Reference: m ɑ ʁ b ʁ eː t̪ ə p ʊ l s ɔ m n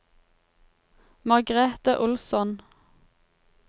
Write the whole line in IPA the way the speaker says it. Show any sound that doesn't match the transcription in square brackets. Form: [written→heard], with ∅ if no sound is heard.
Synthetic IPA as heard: m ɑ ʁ [b→ɡ] ʁ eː t̪ ə [p→ʔ] ʊ l s ɔ [m→∅] n